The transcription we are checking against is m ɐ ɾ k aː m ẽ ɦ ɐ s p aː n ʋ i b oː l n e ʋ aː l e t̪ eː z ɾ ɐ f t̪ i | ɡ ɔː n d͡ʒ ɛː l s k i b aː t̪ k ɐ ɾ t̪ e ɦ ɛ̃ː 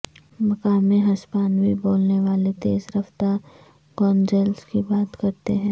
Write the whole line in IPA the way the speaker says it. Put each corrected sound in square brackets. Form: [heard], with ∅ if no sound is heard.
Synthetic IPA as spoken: m ɐ [∅] k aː m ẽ ɦ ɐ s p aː n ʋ i b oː l n e ʋ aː l e t̪ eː z ɾ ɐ f t̪ [a] | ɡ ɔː n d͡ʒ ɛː l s k i b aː t̪ k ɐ ɾ t̪ e ɦ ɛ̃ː

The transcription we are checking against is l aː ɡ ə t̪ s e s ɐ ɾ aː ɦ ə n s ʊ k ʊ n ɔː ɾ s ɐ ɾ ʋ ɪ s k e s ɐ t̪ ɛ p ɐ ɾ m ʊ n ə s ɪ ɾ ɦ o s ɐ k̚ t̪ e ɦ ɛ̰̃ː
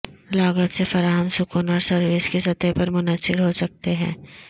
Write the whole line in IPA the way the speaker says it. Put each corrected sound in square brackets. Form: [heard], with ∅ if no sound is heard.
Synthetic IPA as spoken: l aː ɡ ə t̪ s e [f] ɐ ɾ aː ɦ ə [m] s ʊ k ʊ n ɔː ɾ s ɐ ɾ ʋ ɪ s k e s ɐ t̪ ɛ p ɐ ɾ m ʊ n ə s ɪ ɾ ɦ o s ɐ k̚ t̪ e ɦ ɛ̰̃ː

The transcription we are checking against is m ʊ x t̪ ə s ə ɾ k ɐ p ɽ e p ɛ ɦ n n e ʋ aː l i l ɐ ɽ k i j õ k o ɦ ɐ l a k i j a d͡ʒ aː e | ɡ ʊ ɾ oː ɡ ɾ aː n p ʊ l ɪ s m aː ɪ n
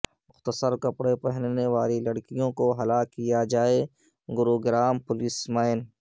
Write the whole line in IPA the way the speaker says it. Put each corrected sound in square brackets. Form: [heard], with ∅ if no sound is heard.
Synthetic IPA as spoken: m ʊ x t̪ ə s ə ɾ k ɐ p ɽ e p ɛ ɦ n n e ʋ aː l i l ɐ ɽ k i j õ k o ɦ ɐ l a k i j a d͡ʒ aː e | ɡ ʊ ɾ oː ɡ ɾ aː [m] p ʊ l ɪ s m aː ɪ n

